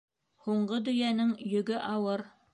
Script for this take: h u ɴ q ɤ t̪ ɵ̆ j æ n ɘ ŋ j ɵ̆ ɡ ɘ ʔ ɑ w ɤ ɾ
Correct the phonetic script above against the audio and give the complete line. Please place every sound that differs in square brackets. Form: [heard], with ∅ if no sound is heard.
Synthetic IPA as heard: h u ɴ [ɢ] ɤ [d̪] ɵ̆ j æ n ɘ ŋ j ɵ̆ ɡ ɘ ʔ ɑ w ɤ ɾ